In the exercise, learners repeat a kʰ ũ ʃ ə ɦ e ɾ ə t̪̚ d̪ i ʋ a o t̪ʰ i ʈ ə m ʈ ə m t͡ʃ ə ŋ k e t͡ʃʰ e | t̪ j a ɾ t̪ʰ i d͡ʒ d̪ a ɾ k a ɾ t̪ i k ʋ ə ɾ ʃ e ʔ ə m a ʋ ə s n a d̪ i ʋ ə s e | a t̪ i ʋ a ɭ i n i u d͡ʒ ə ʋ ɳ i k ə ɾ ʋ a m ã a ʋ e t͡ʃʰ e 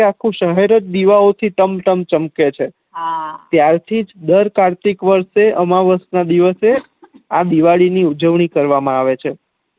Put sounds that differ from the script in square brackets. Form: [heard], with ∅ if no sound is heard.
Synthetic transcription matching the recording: a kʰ ũ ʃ ə ɦ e ɾ ə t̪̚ d̪ i ʋ a o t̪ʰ i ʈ ə m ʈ ə m t͡ʃ ə [m] k e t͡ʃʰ e | t̪ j a ɾ t̪ʰ i d͡ʒ d̪ [ə] ɾ k a ɾ t̪ i k ʋ ə ɾ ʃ e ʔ ə m a ʋ ə s n a d̪ i ʋ ə s e | a [d̪] i ʋ a ɭ i n i u d͡ʒ ə ʋ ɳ i k ə ɾ ʋ a m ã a ʋ e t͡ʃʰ e